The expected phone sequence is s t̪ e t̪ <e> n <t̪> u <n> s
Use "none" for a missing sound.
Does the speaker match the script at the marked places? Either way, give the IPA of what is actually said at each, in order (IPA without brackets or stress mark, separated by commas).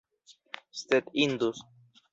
i, d̪, none